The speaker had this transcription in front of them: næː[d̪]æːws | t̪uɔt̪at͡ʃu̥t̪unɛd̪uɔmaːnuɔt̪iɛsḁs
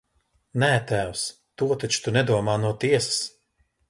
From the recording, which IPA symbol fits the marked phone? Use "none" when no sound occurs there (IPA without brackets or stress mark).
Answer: t̪